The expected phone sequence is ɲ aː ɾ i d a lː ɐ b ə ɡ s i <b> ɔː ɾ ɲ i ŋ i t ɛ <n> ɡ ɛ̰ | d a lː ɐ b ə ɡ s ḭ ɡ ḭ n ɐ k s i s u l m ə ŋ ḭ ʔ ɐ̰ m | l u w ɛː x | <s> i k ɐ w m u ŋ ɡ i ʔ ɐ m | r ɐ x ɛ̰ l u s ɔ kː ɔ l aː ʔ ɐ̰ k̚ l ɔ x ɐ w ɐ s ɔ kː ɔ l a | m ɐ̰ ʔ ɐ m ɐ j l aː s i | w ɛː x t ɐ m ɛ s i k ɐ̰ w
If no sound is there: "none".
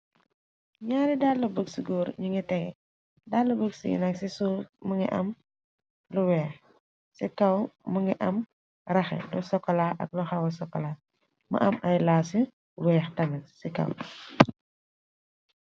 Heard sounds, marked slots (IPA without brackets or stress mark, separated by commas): ɡ, ŋ, s